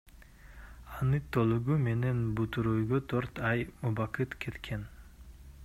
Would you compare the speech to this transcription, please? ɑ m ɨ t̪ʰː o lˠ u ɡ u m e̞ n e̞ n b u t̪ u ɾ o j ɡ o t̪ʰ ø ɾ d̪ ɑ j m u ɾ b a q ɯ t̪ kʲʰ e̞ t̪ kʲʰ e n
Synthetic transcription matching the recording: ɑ n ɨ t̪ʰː o lˠ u ɡ u m e̞ n e̞ n b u t̪ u ɾ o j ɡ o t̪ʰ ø ɾ t̪ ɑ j m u b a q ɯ t̪ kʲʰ e̞ t̪ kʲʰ e n